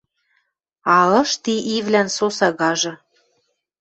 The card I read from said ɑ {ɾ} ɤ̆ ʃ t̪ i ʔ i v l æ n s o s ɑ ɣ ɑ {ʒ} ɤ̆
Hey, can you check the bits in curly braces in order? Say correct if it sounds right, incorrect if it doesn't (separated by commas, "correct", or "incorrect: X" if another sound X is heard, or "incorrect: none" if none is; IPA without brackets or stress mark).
incorrect: l, correct